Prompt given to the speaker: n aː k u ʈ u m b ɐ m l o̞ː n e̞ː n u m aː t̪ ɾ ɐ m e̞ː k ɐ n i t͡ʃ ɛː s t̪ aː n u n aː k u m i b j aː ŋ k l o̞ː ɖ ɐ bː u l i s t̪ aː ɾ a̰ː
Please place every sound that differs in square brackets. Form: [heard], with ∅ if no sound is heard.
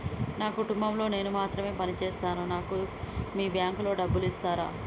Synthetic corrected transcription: n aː k u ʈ u m b ɐ m l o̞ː n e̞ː n u m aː t̪ ɾ ɐ m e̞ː [p] ɐ n i t͡ʃ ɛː s t̪ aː n u n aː k u m [iː] b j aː ŋ k l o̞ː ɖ ɐ bː u l i s t̪ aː ɾ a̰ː